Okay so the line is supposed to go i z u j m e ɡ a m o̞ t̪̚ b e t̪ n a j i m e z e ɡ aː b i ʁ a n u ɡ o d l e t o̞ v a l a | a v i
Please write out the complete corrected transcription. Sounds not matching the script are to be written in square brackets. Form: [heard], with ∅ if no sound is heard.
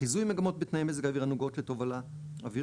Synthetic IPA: i z u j m e ɡ a m o̞ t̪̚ b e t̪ n a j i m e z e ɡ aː [v] i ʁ a n u ɡ o [t] l e t o̞ v a l a | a v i